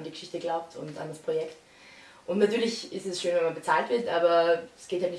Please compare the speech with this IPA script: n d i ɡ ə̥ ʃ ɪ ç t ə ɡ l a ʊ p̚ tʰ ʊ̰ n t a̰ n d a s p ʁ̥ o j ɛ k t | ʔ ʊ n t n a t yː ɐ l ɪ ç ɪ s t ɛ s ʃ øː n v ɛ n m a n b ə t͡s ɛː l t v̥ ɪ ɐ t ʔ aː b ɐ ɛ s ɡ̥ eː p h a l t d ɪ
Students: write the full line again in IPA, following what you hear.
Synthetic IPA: n d i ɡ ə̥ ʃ ɪ ç t ə ɡ l a ʊ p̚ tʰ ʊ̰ n t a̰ n d a s p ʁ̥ o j ɛ k t | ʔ ʊ n t n a t yː ɐ l ɪ ç ɪ s t ɛ s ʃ øː n v ɛ n m a n b ə t͡s aː l t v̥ ɪ ɐ t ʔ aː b ɐ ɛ s ɡ̥ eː t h a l t n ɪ